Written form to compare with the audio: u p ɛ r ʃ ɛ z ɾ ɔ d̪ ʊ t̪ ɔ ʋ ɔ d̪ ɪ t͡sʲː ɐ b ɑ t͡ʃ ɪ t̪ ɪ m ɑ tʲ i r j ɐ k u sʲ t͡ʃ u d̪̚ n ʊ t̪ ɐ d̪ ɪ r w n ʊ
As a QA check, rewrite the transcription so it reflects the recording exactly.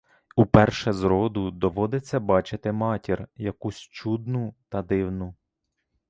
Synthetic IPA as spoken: u p ɛ r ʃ ɛ z ɾ ɔ d̪ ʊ d̪ ɔ ʋ ɔ d̪ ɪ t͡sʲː ɐ b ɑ t͡ʃ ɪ t̪ ɪ m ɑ tʲ i r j ɐ k u sʲ t͡ʃ u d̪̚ n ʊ t̪ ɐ d̪ ɪ w n ʊ